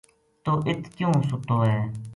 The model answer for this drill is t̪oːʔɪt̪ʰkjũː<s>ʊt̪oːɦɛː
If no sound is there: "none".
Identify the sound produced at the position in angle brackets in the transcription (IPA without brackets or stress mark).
s